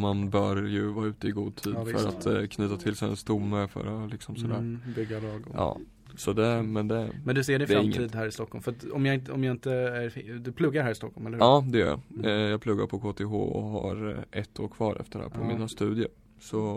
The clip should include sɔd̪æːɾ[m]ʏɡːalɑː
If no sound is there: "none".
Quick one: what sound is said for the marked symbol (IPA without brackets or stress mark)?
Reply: b